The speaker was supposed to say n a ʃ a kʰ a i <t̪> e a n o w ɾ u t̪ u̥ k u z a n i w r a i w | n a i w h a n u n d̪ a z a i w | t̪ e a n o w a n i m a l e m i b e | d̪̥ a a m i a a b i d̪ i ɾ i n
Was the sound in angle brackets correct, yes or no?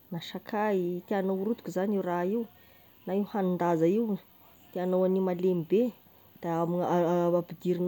yes